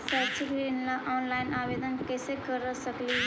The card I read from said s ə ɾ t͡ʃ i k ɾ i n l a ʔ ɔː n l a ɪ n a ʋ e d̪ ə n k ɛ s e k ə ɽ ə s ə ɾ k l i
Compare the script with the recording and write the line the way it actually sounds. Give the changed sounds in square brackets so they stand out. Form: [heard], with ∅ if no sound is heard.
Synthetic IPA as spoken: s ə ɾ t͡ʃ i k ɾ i n l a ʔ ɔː n l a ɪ n a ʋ e d̪ ə n k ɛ s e k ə [ɾ] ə s ə [∅] k l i